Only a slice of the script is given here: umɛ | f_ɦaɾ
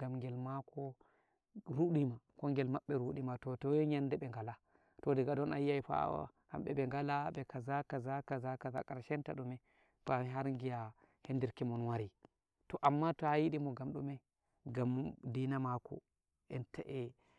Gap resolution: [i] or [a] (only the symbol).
a